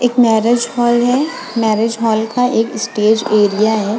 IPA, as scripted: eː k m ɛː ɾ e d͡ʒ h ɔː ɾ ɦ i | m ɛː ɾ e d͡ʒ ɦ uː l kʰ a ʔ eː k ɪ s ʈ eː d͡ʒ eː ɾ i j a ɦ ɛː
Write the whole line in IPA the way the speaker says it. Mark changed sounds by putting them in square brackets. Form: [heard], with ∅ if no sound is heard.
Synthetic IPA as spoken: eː k m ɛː ɾ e d͡ʒ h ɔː [l] ɦ [ɛ] | m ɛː ɾ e d͡ʒ ɦ [ɔː] l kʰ a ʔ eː k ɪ s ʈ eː d͡ʒ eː ɾ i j a ɦ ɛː